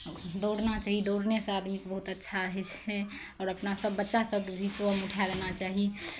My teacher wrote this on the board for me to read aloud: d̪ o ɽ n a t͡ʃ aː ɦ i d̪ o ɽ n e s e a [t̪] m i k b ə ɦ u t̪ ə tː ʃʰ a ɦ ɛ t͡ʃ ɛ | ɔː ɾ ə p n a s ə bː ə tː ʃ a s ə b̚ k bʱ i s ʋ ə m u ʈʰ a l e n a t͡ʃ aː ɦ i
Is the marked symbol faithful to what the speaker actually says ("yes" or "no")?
no